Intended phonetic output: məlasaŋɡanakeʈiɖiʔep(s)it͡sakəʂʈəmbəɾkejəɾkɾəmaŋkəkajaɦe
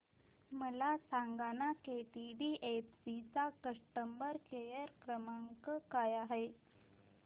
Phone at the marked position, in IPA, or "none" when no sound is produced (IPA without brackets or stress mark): s